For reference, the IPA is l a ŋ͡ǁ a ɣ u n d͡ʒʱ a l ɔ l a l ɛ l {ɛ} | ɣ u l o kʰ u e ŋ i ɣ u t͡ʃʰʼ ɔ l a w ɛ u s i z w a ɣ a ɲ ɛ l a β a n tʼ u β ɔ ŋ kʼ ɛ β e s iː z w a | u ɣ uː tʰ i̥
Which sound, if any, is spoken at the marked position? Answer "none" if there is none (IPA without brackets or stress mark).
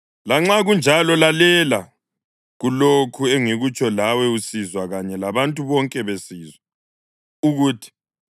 a